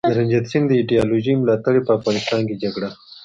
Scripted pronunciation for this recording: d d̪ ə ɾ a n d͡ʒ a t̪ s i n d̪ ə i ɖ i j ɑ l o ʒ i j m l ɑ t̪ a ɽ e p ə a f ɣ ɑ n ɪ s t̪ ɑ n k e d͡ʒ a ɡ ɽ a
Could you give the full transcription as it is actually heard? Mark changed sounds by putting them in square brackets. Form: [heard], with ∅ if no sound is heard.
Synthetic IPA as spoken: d d̪ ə ɾ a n d͡ʒ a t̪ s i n d̪ ə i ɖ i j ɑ l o ʒ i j m l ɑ t̪ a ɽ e p ə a f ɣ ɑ n ɪ s t̪ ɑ n k e d͡ʒ a ɡ ɽ a